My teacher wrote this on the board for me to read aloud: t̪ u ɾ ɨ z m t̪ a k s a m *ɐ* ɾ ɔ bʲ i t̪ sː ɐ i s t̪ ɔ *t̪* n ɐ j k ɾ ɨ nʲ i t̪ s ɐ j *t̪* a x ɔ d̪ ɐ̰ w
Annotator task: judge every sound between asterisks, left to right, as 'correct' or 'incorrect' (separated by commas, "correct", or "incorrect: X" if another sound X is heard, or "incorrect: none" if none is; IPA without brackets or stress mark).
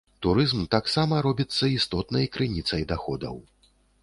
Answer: correct, correct, incorrect: d̪